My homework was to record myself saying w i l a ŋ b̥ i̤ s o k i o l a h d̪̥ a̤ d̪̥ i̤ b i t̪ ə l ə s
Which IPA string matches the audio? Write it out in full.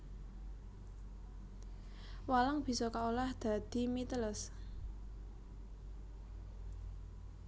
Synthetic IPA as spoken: w a l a ŋ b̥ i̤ s ɔ k a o l a h d̪̥ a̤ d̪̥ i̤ m i t̪ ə l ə s